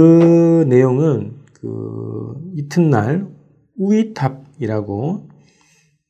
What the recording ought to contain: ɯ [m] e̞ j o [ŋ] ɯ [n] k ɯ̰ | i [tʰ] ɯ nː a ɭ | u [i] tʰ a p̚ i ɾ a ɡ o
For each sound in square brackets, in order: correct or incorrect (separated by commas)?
incorrect, correct, correct, correct, correct